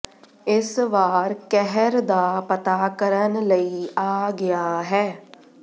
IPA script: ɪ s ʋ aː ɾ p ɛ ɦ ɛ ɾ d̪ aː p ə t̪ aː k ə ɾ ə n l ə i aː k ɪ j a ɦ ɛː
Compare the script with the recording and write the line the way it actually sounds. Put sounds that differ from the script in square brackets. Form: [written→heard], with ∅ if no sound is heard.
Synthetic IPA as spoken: ɪ s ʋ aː ɾ [p→k] ɛ ɦ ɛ ɾ d̪ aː p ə t̪ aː k ə ɾ ə n l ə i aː [k→ɡ] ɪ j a ɦ ɛː